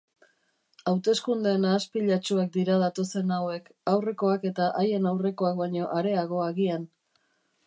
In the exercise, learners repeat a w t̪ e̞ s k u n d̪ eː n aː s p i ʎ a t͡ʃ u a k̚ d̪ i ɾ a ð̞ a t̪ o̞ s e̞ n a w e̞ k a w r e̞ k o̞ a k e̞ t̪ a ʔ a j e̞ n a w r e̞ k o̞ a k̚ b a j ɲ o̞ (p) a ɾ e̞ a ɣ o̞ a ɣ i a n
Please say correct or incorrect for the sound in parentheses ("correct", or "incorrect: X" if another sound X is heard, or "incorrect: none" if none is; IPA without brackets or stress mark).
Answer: incorrect: ʔ